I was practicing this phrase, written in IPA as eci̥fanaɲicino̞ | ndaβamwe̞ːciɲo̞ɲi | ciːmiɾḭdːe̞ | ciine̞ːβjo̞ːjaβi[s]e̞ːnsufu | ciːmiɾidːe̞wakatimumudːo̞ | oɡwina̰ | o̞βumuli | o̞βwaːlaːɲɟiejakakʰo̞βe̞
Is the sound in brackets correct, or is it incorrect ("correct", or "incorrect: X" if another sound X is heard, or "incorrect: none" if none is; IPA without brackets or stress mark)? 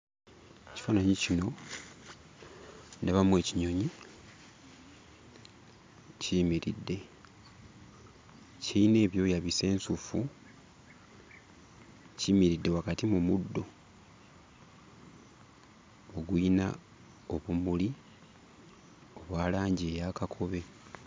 correct